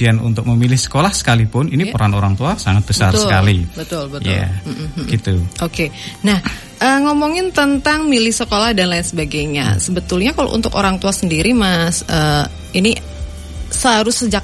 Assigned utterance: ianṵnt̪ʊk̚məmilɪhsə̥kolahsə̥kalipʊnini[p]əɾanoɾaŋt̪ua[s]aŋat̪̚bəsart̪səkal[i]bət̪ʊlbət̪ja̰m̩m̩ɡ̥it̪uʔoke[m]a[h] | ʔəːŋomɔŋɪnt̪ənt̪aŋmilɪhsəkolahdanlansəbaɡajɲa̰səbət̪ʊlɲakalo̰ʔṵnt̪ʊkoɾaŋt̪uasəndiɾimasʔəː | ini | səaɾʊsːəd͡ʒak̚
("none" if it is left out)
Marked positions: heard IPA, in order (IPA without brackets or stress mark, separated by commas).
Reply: p, s, i, n, h